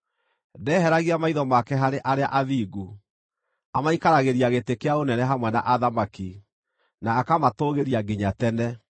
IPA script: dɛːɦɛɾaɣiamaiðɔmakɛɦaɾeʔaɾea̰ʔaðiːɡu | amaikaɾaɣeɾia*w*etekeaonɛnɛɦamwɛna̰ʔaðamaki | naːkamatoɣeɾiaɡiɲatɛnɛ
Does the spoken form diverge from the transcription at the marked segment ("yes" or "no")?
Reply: yes